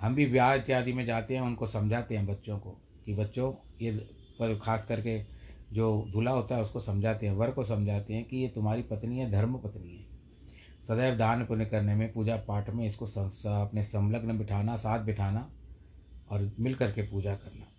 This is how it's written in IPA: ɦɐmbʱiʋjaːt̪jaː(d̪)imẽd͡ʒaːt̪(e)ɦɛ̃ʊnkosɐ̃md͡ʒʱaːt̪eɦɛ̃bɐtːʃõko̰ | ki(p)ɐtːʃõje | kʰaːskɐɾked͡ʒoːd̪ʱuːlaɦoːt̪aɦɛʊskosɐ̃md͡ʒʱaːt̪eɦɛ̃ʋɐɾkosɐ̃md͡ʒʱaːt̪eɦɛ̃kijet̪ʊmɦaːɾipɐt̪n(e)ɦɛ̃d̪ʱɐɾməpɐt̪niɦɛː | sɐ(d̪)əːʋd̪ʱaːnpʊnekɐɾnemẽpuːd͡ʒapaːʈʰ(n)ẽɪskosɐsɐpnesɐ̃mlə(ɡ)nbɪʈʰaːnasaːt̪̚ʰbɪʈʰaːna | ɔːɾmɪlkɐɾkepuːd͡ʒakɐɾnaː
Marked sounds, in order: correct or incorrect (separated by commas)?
correct, correct, incorrect, incorrect, correct, incorrect, correct